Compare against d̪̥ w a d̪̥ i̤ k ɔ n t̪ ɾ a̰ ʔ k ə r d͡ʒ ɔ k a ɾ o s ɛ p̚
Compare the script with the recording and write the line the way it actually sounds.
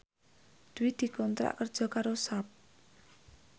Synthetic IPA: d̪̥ w i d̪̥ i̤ k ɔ n t̪ ɾ a̰ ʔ k ə r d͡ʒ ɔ k a ɾ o s a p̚